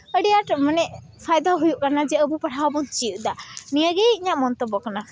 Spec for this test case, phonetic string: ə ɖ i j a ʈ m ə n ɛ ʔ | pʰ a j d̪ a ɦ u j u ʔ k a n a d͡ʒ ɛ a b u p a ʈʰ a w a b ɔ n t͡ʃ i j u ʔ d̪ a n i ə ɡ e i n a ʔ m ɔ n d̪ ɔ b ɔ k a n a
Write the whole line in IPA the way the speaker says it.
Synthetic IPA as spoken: ə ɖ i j a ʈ m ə n ɛ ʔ | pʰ a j d̪ a ɦ u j u ʔ k a n a d͡ʒ ɛ ə b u p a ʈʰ a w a b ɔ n t͡ʃ i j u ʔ d̪ a n i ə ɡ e i ɲ a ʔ m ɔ n t̪ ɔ b ɔ k a n a

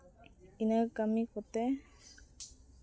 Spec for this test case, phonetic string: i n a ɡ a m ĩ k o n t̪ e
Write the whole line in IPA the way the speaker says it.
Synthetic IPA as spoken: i n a k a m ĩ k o t̪ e

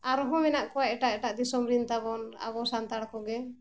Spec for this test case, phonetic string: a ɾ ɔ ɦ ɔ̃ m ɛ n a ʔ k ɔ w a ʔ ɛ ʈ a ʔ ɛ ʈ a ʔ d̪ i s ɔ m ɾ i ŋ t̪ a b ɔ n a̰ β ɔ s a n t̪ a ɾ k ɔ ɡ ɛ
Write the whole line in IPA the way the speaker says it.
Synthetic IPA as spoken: a ɾ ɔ ɦ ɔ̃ m ɛ n a ʔ k ɔ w a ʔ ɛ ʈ a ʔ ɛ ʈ a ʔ d̪ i s ɔ m ɾ i n t̪ a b ɔ n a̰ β ɔ s a n t̪ a ɽ k ɔ ɡ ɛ

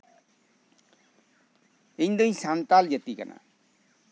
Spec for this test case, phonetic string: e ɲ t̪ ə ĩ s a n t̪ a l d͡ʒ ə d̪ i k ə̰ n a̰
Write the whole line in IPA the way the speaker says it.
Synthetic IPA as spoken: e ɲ d̪ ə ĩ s a n t̪ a l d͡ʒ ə t̪ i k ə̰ n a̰

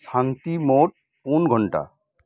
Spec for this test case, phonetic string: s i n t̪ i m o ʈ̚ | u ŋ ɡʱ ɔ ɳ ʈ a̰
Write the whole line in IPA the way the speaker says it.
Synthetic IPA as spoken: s a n t̪ i m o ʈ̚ | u n ɡʱ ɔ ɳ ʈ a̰

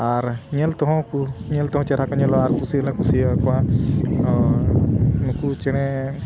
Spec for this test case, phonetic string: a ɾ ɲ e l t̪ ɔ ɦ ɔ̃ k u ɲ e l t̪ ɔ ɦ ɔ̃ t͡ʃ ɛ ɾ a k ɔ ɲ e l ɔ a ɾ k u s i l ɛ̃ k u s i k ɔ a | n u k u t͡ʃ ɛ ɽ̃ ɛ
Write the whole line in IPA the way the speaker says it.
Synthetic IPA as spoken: a ɾ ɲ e l t̪ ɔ ɦ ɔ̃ k u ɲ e l t̪ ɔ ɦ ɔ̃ t͡ʃ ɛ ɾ a k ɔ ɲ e l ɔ a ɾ k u s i l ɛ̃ k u s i k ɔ a | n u k u t͡ʃ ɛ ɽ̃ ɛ

